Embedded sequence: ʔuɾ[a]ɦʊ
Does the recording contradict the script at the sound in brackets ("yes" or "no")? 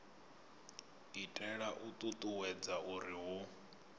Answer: yes